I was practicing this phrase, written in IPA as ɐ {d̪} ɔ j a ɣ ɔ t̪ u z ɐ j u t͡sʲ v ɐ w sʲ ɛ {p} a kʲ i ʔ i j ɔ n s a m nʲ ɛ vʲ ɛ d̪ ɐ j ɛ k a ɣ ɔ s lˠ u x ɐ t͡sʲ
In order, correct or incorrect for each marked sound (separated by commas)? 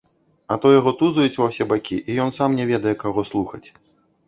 incorrect, incorrect